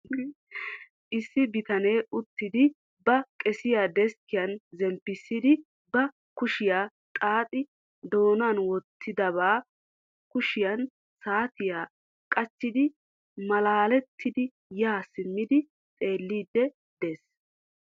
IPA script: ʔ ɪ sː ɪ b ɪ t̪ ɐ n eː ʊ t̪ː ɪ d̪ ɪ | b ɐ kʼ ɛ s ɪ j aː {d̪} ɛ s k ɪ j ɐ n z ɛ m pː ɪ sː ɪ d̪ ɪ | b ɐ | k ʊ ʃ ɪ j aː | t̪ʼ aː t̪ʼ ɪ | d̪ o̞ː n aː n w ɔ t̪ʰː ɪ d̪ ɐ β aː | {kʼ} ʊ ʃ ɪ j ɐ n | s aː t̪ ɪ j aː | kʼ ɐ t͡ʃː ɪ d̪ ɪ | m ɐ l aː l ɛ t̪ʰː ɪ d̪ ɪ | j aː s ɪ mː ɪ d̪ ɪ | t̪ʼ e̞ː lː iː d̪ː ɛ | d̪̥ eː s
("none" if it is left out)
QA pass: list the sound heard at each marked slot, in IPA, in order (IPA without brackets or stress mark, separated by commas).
d̪, k